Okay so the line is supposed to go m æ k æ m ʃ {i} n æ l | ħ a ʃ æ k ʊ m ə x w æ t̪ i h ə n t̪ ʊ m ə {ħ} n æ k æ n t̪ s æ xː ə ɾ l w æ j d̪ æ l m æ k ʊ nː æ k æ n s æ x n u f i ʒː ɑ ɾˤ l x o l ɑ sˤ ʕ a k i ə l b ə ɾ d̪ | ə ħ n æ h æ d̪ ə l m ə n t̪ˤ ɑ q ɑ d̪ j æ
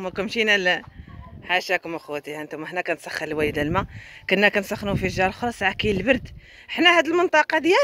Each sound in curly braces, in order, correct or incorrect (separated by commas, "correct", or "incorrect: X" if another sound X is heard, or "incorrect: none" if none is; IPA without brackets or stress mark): correct, correct